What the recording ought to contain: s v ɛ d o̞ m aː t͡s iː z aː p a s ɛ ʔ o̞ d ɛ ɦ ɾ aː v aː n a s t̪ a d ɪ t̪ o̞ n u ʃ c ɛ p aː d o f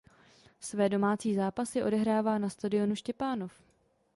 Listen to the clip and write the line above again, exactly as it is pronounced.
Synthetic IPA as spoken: s v ɛː d o̞ m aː t͡s iː z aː p a s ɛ ʔ o̞ d ɛ ɦ ɾ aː v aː n a s t̪ a d ɪ o̞ n u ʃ c ɛ p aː n o f